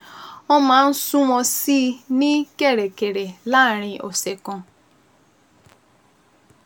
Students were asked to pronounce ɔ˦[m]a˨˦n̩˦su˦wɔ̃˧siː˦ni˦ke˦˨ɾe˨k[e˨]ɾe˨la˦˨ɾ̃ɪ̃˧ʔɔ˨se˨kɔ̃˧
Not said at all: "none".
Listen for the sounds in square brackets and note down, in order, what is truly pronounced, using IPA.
m, e˨

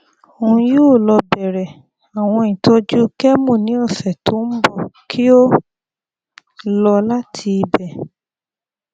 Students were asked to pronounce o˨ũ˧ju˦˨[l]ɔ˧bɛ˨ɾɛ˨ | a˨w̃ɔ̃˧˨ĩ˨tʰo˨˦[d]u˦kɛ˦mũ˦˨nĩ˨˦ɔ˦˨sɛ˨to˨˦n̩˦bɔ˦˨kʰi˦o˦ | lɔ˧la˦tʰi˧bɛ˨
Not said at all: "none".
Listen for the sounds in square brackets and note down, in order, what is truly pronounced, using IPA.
l, d͡ʒ

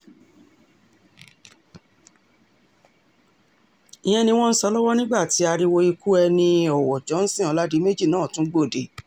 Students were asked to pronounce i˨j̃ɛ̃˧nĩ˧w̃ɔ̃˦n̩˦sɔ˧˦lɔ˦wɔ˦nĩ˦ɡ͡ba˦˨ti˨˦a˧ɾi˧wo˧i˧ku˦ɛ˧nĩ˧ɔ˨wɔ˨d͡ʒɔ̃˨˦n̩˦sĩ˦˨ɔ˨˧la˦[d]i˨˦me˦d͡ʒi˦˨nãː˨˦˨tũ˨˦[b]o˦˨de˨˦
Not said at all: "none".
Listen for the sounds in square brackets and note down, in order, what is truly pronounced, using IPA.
d, ɡ͡b

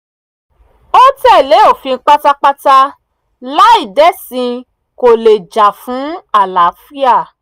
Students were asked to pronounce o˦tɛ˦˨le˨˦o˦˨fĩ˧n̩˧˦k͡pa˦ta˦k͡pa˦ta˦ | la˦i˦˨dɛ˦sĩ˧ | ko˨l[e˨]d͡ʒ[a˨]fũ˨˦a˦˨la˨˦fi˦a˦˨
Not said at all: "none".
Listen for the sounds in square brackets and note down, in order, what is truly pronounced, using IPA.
e˨, a˨

